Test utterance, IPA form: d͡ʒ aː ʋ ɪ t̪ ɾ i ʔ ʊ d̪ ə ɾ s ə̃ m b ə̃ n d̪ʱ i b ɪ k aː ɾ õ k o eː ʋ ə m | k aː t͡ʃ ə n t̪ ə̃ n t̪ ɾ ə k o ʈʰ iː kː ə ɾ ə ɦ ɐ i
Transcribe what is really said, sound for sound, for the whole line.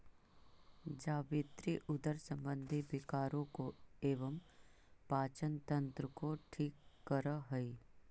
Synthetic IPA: d͡ʒ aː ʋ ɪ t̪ ɾ i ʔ ʊ d̪ ə ɾ s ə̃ m b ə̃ n d̪ʱ i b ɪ k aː ɾ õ k o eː ʋ ə m | p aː t͡ʃ ə n t̪ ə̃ n t̪ ɾ ə k o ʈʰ iː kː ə ɾ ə ɦ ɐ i

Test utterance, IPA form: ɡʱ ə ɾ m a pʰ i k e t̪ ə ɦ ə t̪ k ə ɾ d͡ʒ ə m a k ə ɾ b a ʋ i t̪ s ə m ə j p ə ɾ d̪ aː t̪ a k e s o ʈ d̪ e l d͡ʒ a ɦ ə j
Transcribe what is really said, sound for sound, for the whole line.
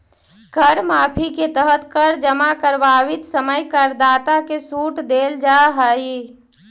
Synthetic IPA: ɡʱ ə ɾ m a pʰ i k e t̪ ə ɦ ə t̪ k ə ɾ d͡ʒ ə m a k ə ɾ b a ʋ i t̪ s ə m ə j k ə ɾ d̪ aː t̪ a k e s u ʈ d̪ e l d͡ʒ a ɦ ə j

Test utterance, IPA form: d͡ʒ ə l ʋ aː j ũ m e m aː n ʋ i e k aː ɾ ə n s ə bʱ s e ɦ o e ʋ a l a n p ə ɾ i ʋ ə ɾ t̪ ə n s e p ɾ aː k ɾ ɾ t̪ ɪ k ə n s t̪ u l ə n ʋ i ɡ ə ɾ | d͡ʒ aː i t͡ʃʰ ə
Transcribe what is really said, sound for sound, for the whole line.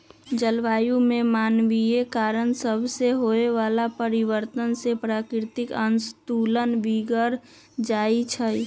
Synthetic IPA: d͡ʒ ə l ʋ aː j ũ m e m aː n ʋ i e k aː ɾ ə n s ə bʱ s e ɦ o e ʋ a l a p ə ɾ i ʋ ə ɾ t̪ ə n s e p ɾ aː k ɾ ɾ t̪ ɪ k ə n s t̪ u l ə n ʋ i ɡ ə ɾ | d͡ʒ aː i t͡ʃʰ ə

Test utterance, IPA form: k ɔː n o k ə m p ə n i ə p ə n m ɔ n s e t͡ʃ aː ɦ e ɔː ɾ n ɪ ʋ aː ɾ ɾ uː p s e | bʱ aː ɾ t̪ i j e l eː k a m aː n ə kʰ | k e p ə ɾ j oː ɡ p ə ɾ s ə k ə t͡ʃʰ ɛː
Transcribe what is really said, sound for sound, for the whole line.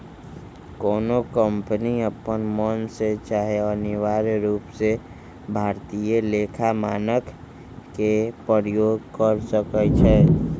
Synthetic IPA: k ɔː n o k ə m p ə n i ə p ə n m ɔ n s e t͡ʃ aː ɦ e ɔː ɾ n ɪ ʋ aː ɾ ɾ uː p s e | bʱ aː ɾ t̪ i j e l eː kʰ a m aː n ə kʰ | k e p ə ɾ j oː ɡ k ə ɾ s ə k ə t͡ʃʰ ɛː

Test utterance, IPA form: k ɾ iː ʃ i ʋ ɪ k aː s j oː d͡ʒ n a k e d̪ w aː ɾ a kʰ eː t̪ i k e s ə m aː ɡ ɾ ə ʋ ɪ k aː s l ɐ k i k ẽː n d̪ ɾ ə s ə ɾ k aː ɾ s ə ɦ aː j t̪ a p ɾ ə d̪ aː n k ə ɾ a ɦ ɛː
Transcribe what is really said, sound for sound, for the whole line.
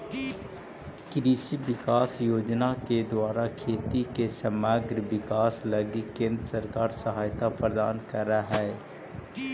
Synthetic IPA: k ɾ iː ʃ i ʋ ɪ k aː s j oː d͡ʒ n a k e d̪ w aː ɾ a kʰ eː t̪ i k e s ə m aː ɡ ɾ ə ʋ ɪ k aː s l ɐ ɡ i k ẽː n d̪ ɾ ə s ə ɾ k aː ɾ s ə ɦ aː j t̪ a p ɾ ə d̪ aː n k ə ɾ a ɦ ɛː

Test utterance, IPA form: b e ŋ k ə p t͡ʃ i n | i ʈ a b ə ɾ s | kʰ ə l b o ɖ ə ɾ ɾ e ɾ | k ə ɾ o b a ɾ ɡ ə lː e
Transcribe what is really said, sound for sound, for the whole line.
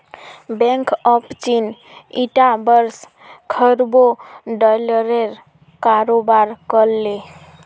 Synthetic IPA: b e ŋ k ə p t͡ʃ i n | i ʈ a b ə ɾ s | kʰ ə ɾ b o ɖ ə l ɾ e ɾ | k a ɾ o b a ɾ k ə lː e

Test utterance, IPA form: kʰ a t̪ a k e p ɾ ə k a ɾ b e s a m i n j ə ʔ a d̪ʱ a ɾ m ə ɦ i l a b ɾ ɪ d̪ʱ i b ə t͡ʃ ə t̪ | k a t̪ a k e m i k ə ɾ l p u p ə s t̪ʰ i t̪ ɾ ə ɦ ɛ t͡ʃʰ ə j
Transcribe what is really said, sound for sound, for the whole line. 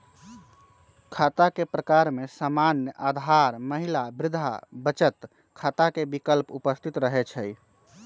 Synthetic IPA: kʰ a t̪ a k e p ɾ ə k a ɾ m e s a m a n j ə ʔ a d̪ʱ a ɾ m ə ɦ i l a b ɾ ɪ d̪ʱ a b ə t͡ʃ ə t̪ | kʰ a t̪ a k e b i k ə l p u p ə s t̪ʰ i t̪ ɾ ə ɦ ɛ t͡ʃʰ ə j

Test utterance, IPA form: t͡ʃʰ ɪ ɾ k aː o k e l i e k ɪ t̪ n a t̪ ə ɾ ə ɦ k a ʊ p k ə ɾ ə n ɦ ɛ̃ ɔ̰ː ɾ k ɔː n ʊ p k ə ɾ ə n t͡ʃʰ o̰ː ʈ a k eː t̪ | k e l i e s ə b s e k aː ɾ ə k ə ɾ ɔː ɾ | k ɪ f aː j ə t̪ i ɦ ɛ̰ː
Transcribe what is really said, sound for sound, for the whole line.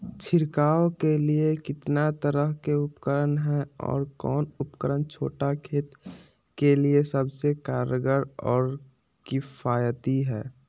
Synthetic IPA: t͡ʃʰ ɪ ɾ k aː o k e l i e k ɪ t̪ n a t̪ ə ɾ ə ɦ k e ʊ p k ə ɾ ə n ɦ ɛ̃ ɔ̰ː ɾ k ɔː n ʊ p k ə ɾ ə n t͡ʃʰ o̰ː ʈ a kʰ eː t̪ | k e l i e s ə b s e k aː ɾ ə ɡ ə ɾ ɔː ɾ | k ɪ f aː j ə t̪ i ɦ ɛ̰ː

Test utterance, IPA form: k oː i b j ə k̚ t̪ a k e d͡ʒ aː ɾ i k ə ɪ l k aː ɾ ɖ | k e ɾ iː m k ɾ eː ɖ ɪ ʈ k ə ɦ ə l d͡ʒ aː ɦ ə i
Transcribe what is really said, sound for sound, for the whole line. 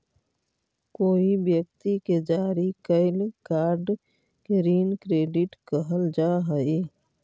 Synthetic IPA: k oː i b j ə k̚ t̪ i k e d͡ʒ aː ɾ i k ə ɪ l k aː ɾ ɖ | k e ɾ iː n k ɾ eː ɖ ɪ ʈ k ə ɦ ə l d͡ʒ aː ɦ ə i

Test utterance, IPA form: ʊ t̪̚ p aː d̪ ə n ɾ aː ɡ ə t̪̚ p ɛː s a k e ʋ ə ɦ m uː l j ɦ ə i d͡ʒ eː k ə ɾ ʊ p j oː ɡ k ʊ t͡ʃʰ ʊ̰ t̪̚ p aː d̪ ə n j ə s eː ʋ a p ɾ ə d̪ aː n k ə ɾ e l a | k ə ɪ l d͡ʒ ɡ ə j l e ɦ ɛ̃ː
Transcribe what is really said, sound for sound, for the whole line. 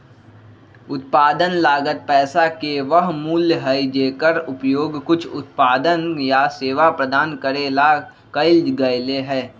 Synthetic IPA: ʊ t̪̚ p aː d̪ ə n l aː ɡ ə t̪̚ p ɛː s a k e ʋ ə ɦ m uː l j ɦ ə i d͡ʒ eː k ə ɾ ʊ p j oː ɡ k ʊ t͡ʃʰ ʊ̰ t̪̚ p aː d̪ ə n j a s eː ʋ a p ɾ ə d̪ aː n k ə ɾ e l a | k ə ɪ l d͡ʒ ɡ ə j l e ɦ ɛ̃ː

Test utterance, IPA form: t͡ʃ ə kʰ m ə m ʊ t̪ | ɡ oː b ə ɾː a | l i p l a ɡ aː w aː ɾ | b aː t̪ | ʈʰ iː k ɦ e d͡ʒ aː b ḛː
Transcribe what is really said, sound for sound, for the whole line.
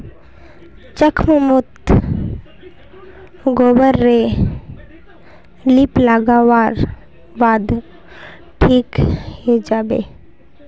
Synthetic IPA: t͡ʃ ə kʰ m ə m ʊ t̪ | ɡ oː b ə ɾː e | l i p l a ɡ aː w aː ɾ | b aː d̪ | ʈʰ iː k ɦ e d͡ʒ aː b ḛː

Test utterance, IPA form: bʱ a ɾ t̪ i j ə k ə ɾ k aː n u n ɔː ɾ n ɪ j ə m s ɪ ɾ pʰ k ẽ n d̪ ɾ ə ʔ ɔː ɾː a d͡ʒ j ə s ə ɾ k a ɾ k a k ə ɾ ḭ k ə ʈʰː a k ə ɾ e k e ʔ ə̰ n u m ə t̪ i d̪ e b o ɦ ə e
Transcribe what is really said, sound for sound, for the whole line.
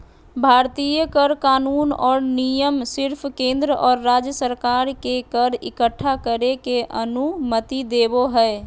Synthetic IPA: bʱ a ɾ t̪ i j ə k ə ɾ k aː n u n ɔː ɾ n i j ə m s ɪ ɾ pʰ k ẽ n d̪ ɾ ə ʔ ɔː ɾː a d͡ʒ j ə s ə ɾ k a ɾ k e k ə ɾ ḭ k ə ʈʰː a k ə ɾ e k e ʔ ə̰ n u m ə t̪ i d̪ e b o ɦ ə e

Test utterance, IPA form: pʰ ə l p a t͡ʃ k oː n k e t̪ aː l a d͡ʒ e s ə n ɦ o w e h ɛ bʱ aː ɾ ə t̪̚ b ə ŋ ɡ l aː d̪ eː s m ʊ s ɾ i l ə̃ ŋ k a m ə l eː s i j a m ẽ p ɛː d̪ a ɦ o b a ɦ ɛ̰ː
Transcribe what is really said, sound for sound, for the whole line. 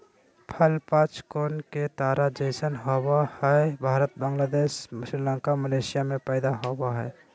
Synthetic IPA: pʰ ə l p a t͡ʃ k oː n k e t̪ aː ɾ a d͡ʒ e s ə n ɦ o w a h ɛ bʱ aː ɾ ə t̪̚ b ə ŋ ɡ l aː d̪ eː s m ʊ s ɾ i l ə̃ ŋ k a m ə l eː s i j a m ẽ p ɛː d̪ a ɦ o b a ɦ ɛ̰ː

